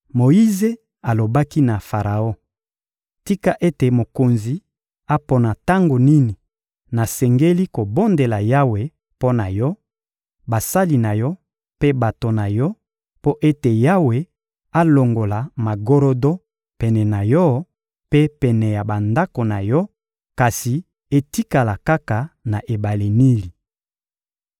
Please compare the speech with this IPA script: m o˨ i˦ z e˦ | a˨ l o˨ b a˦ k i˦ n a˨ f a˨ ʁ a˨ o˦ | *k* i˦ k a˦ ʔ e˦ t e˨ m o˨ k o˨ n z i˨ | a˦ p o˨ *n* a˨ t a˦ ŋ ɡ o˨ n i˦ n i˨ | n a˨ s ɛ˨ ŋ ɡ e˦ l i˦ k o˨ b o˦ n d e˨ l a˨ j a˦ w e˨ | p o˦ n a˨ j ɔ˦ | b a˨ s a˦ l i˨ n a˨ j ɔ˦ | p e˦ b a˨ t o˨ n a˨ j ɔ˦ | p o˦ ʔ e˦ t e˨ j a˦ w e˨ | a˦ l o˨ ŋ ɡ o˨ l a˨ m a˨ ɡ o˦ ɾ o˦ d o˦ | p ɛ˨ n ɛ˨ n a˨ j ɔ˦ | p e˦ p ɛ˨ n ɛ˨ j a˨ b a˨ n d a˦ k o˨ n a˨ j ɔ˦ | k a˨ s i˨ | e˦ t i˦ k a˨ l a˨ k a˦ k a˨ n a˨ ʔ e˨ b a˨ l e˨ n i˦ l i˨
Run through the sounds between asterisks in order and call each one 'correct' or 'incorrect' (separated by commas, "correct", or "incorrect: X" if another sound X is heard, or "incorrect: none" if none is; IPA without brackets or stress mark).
incorrect: t, correct